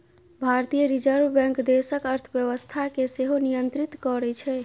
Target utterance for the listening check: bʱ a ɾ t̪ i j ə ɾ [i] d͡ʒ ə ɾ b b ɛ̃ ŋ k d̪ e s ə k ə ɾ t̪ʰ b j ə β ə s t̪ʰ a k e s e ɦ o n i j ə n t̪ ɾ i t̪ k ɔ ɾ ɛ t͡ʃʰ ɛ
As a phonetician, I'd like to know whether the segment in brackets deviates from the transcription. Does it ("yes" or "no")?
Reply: no